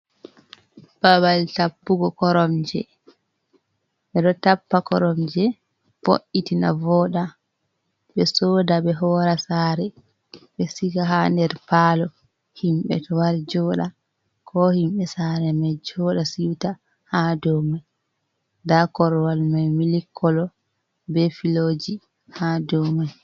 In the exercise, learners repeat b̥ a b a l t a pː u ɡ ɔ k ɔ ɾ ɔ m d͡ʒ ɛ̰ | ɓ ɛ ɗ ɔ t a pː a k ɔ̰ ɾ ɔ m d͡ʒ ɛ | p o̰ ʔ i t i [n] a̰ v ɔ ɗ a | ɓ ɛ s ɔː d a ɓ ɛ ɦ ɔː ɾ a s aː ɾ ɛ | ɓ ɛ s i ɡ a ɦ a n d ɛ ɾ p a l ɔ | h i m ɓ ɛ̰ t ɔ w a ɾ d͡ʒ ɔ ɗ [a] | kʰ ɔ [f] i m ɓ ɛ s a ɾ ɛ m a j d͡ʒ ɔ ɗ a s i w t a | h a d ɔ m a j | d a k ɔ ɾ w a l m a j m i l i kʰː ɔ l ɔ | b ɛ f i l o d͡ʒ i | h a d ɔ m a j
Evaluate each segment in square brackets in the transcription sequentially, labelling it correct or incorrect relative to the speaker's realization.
correct, correct, incorrect

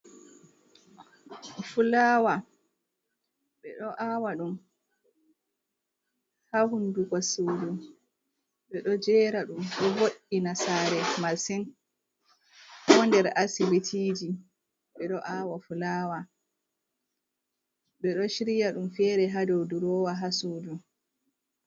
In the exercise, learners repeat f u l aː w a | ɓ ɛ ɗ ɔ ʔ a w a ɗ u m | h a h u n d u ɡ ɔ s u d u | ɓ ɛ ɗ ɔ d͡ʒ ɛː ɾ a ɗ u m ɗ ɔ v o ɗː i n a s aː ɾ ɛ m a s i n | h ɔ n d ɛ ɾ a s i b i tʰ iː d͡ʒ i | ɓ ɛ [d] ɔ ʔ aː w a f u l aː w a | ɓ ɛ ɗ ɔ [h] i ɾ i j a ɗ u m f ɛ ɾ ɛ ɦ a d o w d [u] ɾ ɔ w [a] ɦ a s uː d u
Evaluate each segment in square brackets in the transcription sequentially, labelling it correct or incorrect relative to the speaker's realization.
incorrect, incorrect, correct, correct

